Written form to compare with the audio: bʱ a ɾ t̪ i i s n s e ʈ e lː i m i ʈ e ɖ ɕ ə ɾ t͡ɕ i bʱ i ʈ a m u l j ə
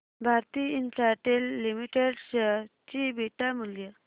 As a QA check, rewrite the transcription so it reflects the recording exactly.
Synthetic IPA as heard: bʱ a ɾ t̪ i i n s a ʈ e lː i m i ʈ e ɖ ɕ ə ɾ t͡ɕ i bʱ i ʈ a m u l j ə